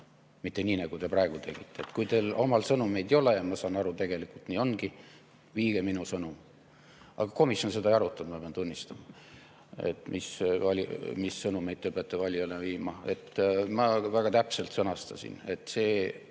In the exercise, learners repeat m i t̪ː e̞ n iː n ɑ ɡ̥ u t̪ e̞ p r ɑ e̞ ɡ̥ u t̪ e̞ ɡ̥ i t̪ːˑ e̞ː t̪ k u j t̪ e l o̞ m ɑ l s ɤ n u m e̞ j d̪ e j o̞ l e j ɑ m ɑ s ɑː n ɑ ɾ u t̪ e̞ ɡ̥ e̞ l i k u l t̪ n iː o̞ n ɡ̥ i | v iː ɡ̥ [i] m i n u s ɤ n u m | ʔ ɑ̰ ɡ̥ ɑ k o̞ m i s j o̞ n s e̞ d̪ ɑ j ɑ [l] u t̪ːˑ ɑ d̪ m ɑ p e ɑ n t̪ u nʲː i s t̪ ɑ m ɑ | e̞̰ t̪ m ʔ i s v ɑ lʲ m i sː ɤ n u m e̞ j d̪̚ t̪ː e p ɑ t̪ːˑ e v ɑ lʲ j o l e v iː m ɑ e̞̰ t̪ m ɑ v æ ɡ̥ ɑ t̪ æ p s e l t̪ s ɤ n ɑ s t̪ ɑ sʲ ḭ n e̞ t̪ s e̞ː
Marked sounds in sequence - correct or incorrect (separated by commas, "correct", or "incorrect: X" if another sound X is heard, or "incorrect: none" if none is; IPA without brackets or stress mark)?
incorrect: e, incorrect: ɾ